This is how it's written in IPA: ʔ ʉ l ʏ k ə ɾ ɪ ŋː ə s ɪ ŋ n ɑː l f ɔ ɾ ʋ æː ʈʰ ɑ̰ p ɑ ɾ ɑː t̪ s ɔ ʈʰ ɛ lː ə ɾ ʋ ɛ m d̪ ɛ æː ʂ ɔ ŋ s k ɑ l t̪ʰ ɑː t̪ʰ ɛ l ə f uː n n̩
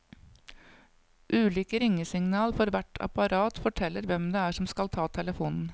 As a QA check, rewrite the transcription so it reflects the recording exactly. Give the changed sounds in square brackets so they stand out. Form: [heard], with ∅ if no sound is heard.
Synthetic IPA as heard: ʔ [ʉː] l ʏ k ə ɾ ɪ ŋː ə s ɪ ŋ n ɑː l f ɔ ɾ ʋ [æ] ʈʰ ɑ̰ p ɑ ɾ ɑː t̪ [f] ɔ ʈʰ ɛ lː ə ɾ ʋ ɛ m d̪ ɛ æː ʂ ɔ [m] s k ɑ l t̪ʰ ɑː t̪ʰ ɛ l ə f uː n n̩